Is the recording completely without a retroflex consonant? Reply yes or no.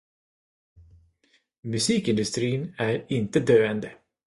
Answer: yes